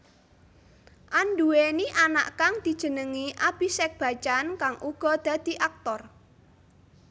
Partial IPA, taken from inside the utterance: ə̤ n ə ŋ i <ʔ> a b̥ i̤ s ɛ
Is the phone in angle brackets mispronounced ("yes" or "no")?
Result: no